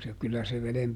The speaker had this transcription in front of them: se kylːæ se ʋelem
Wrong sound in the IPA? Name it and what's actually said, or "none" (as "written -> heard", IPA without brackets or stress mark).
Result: none